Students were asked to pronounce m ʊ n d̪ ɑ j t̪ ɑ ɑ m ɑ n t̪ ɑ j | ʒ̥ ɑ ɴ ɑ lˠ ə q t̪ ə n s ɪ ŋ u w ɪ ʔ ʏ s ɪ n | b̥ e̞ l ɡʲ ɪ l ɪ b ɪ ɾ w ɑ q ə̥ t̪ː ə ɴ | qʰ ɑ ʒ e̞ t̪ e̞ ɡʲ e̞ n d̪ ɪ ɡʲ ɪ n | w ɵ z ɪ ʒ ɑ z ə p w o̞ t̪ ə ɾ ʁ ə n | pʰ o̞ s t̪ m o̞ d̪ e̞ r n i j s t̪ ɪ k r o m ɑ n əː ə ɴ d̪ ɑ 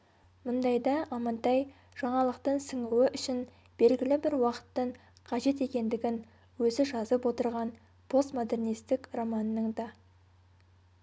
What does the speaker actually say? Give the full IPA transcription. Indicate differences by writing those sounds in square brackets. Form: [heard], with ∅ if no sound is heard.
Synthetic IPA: m ʊ n d̪ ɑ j [d̪] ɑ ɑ m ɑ n t̪ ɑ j | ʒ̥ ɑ ɴ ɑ lˠ ə q t̪ ə [ɴ] s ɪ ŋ u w ɪ ʔ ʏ [ʃ] ɪ n | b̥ e̞ l ɡʲ ɪ l ɪ b ɪ ɾ w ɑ q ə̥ t̪ː ə ɴ | qʰ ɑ ʒ e̞ t̪ e̞ [kʲ] e̞ n d̪ ɪ ɡʲ ɪ n | w ɵ z ɪ ʒ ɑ z ə p w o̞ t̪ ə ɾ ʁ [ɑ] n | pʰ o̞ s t̪ m o̞ d̪ e̞ r n i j s t̪ ɪ k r o m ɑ n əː ə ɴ d̪ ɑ

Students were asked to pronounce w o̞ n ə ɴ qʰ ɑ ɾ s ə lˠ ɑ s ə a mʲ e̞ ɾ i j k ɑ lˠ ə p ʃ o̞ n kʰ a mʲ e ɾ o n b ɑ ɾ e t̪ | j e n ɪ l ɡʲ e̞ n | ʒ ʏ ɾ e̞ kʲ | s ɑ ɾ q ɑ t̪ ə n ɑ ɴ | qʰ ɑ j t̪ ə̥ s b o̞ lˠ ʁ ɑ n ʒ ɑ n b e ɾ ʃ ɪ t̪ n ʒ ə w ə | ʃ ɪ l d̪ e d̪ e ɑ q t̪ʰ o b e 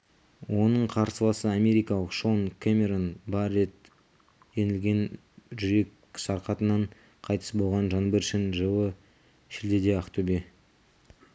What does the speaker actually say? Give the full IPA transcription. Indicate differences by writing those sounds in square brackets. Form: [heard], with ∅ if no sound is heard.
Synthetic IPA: w o̞ n ə ɴ qʰ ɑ ɾ s ə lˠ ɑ s ə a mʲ e̞ ɾ i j k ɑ lˠ ə [q] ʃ o̞ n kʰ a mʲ e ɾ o n b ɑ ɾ e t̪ | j e n ɪ l ɡʲ e̞ n | ʒ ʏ ɾ e̞ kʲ | s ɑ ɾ q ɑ t̪ ə n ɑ ɴ | qʰ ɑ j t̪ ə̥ s b o̞ lˠ ʁ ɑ n ʒ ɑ n b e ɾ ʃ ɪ [∅] n ʒ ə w ə | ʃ ɪ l d̪ e d̪ e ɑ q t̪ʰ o b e

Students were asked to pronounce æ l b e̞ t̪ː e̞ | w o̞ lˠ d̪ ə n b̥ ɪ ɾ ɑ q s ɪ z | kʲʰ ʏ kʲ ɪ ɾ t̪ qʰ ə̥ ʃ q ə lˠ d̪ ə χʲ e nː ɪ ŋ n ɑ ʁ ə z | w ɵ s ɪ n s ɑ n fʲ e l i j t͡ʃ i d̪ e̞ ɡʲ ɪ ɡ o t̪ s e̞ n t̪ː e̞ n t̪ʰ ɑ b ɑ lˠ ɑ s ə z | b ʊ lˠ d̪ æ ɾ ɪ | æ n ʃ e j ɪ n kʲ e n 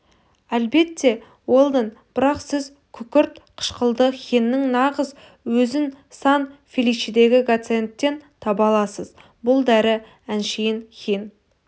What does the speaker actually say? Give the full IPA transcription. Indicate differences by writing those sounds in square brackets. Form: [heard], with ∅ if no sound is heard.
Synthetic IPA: æ l b e̞ t̪ː e̞ | w o̞ lˠ d̪ ə n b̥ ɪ ɾ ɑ q s ɪ z | kʲʰ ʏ kʲ ɪ ɾ t̪ qʰ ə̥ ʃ q ə lˠ d̪ ə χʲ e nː ɪ ŋ n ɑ ʁ ə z | w ɵ [z] ɪ n s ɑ n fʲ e l i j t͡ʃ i d̪ e̞ ɡʲ ɪ ɡ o t̪ s e̞ n t̪ː e̞ n t̪ʰ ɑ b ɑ lˠ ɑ s ə z | b ʊ lˠ d̪ æ ɾ ɪ | æ n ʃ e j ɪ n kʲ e n

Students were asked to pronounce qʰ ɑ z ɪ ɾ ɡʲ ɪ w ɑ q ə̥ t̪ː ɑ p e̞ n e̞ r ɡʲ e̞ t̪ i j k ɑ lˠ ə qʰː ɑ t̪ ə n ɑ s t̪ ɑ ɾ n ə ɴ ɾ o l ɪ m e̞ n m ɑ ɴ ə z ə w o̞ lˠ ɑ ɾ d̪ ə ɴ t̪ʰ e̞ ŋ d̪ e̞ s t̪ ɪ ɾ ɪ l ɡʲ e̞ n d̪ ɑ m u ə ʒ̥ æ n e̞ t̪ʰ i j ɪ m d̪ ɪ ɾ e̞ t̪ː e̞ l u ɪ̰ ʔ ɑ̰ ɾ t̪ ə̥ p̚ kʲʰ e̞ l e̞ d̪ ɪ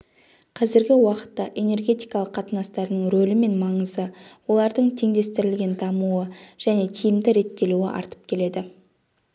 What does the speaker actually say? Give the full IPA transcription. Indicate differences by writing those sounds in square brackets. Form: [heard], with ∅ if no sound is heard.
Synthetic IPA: qʰ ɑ z ɪ ɾ ɡʲ ɪ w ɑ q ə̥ t̪ː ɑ [ʔ] e̞ n e̞ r ɡʲ e̞ t̪ i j k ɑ lˠ ə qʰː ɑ t̪ ə n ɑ s t̪ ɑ ɾ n ə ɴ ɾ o l ɪ m e̞ n m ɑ ɴ ə z ə w o̞ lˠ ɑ ɾ d̪ ə ɴ t̪ʰ e̞ ŋ d̪ e̞ s t̪ ɪ ɾ ɪ l ɡʲ e̞ n d̪ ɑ m u ə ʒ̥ æ n e̞ t̪ʰ i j ɪ m d̪ ɪ ɾ e̞ t̪ː e̞ l u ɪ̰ ʔ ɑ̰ ɾ t̪ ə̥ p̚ kʲʰ e̞ l e̞ d̪ ɪ

